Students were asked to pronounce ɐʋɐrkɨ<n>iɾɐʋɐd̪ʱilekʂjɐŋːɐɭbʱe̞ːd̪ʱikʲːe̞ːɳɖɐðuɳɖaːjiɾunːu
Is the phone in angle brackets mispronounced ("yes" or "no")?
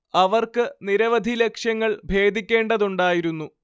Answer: no